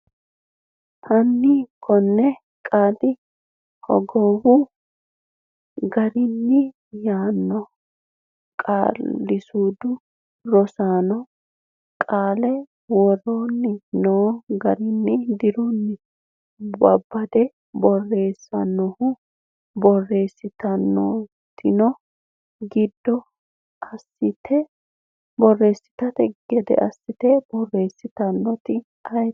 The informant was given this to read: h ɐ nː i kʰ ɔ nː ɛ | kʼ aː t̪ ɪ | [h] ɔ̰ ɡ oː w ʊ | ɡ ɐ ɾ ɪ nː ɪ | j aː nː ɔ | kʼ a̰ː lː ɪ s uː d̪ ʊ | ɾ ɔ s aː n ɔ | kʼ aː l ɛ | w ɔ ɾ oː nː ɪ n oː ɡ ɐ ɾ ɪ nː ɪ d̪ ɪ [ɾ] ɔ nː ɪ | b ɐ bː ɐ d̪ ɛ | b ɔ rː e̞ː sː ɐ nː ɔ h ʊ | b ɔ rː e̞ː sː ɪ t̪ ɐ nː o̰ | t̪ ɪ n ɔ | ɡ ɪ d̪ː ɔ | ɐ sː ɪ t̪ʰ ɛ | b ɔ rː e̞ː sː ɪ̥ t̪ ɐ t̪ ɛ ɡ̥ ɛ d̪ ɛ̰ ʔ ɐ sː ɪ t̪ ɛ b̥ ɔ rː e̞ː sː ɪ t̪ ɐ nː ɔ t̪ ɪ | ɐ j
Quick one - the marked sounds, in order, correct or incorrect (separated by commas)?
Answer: correct, correct